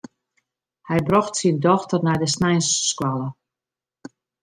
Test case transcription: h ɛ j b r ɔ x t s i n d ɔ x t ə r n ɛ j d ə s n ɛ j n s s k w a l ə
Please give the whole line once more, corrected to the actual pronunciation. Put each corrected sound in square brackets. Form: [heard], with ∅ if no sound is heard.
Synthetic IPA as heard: h ɛ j b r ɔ x t s i n d ɔ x t ə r n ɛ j d ə s n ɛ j n s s k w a l ə